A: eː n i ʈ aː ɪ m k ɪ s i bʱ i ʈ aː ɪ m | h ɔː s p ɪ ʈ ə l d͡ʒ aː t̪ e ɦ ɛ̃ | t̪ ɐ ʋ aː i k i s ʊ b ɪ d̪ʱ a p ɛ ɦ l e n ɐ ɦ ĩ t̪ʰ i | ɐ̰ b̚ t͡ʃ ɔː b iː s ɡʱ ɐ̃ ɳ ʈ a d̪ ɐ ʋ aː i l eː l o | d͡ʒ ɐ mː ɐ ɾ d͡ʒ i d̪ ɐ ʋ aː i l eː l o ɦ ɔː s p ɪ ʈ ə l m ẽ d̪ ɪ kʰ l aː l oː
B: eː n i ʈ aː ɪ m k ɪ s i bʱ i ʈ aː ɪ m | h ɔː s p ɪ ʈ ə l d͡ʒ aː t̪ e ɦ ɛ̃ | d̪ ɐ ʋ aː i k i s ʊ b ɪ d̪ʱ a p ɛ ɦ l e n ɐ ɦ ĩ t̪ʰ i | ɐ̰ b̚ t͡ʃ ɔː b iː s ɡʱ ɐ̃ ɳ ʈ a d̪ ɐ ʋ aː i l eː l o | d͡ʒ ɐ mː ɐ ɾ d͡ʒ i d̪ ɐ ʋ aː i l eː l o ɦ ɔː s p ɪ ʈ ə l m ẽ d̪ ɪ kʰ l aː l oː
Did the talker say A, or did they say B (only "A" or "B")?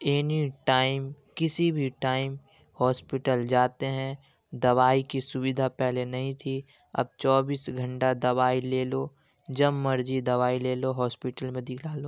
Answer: B